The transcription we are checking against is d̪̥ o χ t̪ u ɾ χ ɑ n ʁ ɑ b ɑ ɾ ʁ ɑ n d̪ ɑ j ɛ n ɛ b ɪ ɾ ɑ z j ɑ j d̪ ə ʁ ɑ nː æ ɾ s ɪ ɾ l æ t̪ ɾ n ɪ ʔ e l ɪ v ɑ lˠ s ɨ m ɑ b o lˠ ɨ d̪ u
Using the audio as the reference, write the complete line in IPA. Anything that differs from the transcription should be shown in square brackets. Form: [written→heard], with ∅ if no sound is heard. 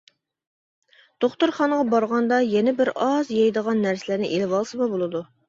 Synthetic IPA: d̪̥ o χ t̪ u ɾ χ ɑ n ʁ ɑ b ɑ ɾ ʁ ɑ n d̪ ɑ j ɛ n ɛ b ɪ ɾ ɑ z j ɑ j d̪ ə ʁ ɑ nː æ ɾ s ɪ [ɾ→∅] l æ [t̪→∅] ɾ n ɪ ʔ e l ɪ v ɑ lˠ s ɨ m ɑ b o lˠ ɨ d̪ u